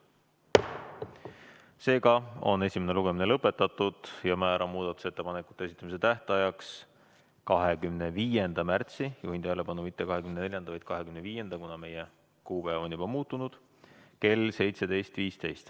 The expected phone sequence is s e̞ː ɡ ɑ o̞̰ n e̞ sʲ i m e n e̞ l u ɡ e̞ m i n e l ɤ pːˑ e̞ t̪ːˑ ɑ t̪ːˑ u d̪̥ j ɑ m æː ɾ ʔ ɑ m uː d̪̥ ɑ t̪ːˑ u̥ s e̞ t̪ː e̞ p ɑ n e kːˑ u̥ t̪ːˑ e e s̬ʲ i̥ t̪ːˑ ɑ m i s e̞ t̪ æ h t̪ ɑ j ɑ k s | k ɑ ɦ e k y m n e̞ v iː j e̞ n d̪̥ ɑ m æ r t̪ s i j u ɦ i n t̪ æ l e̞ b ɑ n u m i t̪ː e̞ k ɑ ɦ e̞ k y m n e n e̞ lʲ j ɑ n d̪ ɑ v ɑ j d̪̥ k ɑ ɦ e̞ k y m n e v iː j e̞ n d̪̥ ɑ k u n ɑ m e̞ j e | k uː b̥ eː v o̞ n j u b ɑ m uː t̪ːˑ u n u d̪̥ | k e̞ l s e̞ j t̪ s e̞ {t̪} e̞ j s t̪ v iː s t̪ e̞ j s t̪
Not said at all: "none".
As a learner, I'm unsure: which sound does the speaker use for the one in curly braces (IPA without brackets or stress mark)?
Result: d̪